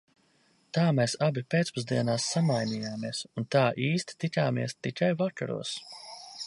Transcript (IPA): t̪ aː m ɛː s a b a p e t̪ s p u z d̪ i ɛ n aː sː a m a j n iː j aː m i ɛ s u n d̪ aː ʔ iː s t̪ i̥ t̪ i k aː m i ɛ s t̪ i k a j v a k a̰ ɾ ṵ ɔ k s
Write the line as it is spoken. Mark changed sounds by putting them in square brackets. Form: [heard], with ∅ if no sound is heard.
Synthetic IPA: t̪ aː m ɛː s a b [i] p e t̪ s p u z d̪ i ɛ n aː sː a m a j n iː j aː m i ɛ s u n [t̪] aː ʔ iː s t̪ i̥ t̪ i k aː m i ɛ s t̪ i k a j v a k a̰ ɾ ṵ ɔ [∅] s